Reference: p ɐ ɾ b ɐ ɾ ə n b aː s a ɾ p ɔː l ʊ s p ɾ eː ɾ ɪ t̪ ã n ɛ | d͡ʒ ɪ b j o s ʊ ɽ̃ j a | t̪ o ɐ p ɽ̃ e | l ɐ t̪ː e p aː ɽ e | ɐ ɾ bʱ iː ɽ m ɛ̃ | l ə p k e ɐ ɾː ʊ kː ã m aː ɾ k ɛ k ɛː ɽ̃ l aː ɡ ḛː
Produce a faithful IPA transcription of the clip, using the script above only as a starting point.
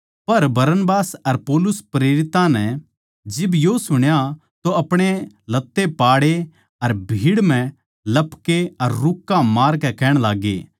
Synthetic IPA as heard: p ɐ ɾ b ɐ ɾ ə n b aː s ɐ ɾ p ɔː l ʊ s p ɾ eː ɾ ɪ t̪ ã n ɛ | d͡ʒ ɪ b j o s ʊ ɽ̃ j a | t̪ o ɐ p ɽ̃ e | l ɐ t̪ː e p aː ɽ e | ɐ ɾ bʱ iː ɽ m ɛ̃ | l ɐ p k e ɐ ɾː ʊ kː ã m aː ɾ k ɛ k ɛː ɽ̃ l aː ɡ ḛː